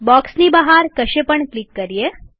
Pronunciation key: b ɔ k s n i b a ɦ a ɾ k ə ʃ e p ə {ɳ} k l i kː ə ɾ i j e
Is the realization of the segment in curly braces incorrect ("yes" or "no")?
no